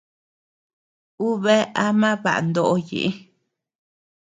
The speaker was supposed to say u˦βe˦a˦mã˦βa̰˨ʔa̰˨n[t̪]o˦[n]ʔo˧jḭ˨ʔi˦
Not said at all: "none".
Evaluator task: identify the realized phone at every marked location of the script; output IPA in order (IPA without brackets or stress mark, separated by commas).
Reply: d̪, none